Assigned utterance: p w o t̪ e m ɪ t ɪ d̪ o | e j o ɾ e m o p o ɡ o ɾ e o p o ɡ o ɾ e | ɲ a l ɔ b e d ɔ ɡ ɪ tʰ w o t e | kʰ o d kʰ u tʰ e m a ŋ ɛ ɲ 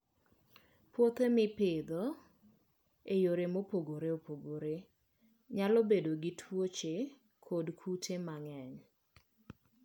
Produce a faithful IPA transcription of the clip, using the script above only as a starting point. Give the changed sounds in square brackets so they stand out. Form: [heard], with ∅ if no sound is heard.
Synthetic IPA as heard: p w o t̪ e m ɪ [p] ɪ d̪ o | e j o ɾ e m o p o ɡ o ɾ e o p o ɡ o ɾ e | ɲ a l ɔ b e d [o] ɡ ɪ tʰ w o [t͡ʃ] e | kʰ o d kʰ u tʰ e m a ŋ ɛ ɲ

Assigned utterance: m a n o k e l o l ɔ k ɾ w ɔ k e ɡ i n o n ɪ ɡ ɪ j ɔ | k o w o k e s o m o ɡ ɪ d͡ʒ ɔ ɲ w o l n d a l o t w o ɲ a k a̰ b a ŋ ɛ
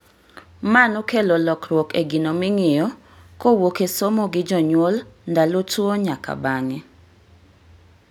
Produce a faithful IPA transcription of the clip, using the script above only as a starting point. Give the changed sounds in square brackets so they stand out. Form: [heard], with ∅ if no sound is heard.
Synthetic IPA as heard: m a n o k e l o l ɔ k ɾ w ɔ k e ɡ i n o [m] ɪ [ŋ] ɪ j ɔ | k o w o k e s o m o ɡ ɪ d͡ʒ ɔ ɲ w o l n d a l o t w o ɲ a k a̰ b a ŋ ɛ

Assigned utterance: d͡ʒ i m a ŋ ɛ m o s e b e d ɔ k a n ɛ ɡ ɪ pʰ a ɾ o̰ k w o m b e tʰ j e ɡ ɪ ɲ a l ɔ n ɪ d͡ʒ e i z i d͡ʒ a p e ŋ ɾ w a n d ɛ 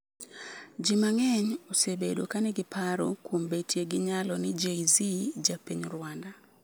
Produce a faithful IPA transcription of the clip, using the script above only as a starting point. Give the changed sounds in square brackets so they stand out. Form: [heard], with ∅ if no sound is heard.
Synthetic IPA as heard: d͡ʒ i m a ŋ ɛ [ɲ] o s e b e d [o] k a n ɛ ɡ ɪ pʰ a ɾ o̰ k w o m b e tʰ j e ɡ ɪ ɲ a l ɔ n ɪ d͡ʒ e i z i d͡ʒ a p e [ɲ] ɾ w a n d [a]

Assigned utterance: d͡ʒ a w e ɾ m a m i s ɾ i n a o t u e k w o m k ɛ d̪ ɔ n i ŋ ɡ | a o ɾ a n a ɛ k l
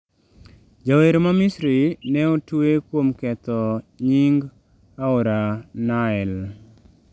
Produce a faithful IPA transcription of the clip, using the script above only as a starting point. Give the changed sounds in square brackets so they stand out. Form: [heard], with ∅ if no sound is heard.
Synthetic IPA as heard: d͡ʒ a w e ɾ m a m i s ɾ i n [ɛ] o t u e k w o m k ɛ [t̪] ɔ [ɲ] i ŋ ɡ | a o ɾ a n a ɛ [∅] l

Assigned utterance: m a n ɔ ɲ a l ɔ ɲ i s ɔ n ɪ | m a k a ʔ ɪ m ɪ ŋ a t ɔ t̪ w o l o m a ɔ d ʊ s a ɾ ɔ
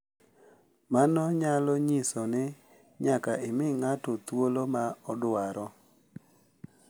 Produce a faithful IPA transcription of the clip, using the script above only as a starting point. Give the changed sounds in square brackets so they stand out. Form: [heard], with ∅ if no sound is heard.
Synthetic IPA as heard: m a n ɔ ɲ a l ɔ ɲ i s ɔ n ɪ | [ɲ] a k a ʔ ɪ m ɪ ŋ a t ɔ t̪ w o l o m a ɔ d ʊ [∅] a ɾ ɔ

